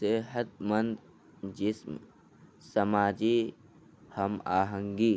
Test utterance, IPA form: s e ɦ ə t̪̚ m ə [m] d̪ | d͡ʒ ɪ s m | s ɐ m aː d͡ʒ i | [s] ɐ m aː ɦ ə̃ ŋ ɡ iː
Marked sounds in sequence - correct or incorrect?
incorrect, incorrect

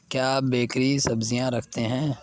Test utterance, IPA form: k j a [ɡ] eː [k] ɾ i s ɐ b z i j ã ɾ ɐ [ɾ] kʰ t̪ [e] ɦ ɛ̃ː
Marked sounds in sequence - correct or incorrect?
incorrect, correct, incorrect, correct

